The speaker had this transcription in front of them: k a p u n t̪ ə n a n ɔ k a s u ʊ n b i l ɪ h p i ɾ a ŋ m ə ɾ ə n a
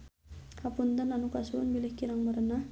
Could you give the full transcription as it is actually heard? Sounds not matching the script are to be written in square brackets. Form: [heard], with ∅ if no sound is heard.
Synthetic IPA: k a p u n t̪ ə n a n [u] k a s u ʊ n b i l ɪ h [k] i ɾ a ŋ m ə ɾ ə n a

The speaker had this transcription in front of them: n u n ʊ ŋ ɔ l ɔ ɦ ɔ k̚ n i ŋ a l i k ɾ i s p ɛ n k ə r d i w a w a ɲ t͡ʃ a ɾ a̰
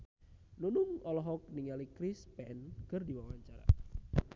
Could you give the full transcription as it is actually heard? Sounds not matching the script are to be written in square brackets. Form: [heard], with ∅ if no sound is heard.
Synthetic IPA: n u n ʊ ŋ ɔ l ɔ ɦ ɔ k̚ n i ŋ a l i k ɾ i s p ɛ n k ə r d i w a w a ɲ t͡ʃ a ɾ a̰

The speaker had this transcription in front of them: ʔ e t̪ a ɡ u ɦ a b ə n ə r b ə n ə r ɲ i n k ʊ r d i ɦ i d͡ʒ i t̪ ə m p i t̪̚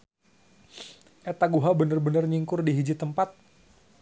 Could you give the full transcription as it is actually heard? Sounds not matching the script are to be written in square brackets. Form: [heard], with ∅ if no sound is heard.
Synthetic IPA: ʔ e t̪ a ɡ u ɦ a b ə n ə r b ə n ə r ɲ i [ŋ] k ʊ r d i ɦ i d͡ʒ i t̪ ə m p [a] t̪̚

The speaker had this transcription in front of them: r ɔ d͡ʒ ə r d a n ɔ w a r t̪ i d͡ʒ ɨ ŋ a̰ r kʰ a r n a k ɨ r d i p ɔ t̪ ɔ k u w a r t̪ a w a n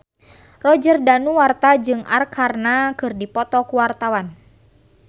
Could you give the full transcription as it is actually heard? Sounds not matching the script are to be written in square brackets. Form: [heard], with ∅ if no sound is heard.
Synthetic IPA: r ɔ d͡ʒ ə r d a n [u] w a r t̪ [a] d͡ʒ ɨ ŋ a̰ r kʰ a r n a k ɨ r d i p ɔ t̪ ɔ k u w a r t̪ a w a n

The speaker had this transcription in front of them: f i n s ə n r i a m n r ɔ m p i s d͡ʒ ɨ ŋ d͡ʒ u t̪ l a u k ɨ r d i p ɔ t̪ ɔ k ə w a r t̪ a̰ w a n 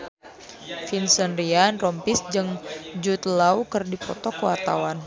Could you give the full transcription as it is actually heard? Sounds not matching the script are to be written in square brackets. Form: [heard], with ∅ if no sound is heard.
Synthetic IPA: f i n s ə n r i a [∅] n r ɔ m p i s d͡ʒ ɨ ŋ d͡ʒ u t̪ l a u k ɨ r d i p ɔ t̪ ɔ k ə w a r t̪ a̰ w a n

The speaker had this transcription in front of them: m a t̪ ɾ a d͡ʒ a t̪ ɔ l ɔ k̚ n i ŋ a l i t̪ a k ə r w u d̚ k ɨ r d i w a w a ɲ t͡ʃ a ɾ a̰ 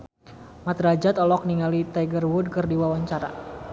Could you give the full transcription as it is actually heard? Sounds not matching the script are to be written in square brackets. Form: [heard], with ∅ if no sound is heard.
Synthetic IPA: m a t̪ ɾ a d͡ʒ a t̪ ɔ l ɔ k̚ n i ŋ a l i t̪ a [ɡ] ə r w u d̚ k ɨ r d i w a w a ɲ t͡ʃ a ɾ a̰

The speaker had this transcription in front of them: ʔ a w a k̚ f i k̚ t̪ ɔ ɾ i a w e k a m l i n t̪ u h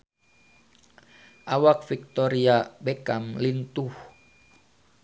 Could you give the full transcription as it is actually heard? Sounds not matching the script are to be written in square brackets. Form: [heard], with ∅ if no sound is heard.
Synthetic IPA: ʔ a w a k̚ f i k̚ t̪ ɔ ɾ i a [b] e k a m l i n t̪ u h

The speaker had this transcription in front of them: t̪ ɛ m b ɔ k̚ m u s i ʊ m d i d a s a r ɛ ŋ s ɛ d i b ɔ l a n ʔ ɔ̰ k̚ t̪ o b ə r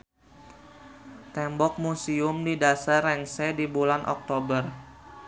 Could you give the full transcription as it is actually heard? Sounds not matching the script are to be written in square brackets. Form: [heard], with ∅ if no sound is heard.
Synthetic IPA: t̪ ɛ m b ɔ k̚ m u s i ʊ m d i d a s a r ɛ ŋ s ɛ d i b [u] l a n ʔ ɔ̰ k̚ t̪ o b ə r

